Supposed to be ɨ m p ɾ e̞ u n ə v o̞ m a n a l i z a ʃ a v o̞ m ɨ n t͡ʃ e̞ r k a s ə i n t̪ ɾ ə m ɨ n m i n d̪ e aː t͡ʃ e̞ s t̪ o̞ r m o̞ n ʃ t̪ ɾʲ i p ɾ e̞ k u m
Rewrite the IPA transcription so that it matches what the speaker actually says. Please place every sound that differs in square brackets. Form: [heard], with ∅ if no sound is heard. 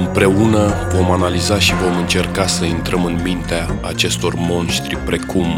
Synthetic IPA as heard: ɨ m p ɾ e̞ u n ə v o̞ m a n a l i z a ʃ [i] v o̞ m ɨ n t͡ʃ e̞ r k a s ə i n t̪ ɾ ə m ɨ n m i n [t̪] e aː t͡ʃ e̞ s t̪ o̞ r m o̞ n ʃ t̪ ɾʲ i p ɾ e̞ k u m